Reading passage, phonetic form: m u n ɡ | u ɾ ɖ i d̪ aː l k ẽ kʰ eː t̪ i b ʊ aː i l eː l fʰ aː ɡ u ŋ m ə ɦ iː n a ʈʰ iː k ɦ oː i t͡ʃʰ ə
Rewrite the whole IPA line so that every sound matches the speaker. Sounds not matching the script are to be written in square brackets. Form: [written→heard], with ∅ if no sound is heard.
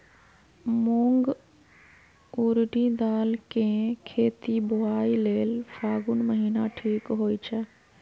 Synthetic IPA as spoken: m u [n→ŋ] ɡ | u ɾ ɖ i d̪ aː l k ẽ kʰ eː t̪ i b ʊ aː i l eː l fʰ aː ɡ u [ŋ→n] m ə ɦ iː n a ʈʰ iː k ɦ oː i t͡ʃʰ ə